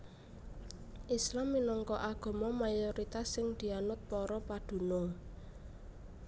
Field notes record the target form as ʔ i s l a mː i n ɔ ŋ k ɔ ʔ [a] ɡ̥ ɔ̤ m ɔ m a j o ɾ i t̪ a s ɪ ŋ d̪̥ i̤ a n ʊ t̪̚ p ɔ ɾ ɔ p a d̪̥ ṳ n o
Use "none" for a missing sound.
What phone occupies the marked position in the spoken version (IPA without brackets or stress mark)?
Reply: a